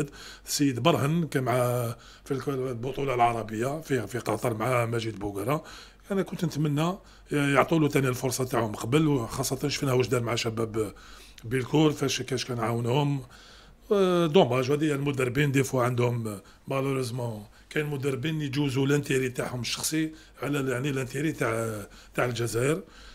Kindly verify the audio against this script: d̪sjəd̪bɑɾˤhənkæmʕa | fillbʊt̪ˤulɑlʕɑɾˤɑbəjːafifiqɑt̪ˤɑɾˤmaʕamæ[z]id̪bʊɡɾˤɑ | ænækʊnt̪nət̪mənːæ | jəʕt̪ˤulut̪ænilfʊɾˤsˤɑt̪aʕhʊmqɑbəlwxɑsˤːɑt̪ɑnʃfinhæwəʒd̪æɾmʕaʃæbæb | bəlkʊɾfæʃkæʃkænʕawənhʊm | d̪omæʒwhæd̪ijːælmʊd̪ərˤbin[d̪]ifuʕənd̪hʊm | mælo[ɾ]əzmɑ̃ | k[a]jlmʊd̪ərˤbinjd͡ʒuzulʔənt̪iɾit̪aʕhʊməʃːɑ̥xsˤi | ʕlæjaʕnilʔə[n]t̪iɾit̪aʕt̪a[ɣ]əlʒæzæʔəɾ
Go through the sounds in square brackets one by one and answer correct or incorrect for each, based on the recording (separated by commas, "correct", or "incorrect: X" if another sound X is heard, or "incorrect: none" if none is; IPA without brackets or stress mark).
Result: incorrect: ʒ, correct, correct, incorrect: æ, correct, incorrect: ʕ